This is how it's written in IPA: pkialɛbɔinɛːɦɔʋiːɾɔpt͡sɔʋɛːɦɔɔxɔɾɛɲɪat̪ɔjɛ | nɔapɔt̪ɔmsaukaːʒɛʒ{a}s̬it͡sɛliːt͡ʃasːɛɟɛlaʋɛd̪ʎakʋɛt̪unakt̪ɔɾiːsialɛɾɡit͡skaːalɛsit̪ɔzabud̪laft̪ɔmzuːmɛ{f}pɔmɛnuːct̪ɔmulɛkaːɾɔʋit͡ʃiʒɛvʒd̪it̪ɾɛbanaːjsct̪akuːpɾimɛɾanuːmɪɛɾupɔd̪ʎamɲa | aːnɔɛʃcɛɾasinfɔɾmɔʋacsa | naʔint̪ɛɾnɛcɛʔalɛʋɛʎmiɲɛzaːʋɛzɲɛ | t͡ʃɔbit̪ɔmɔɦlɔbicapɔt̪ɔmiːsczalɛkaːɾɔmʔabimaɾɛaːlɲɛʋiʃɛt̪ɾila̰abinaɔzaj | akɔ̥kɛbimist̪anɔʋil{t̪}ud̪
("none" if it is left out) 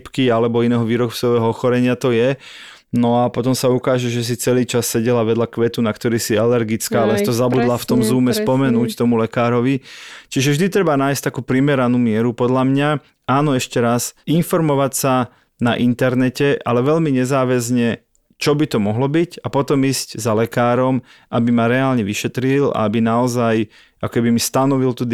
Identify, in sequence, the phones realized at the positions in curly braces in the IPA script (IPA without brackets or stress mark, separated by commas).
ɛ, s, t̪